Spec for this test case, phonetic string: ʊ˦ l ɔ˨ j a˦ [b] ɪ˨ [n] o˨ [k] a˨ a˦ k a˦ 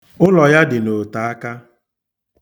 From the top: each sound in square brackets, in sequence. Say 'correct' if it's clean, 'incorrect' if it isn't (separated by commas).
incorrect, correct, incorrect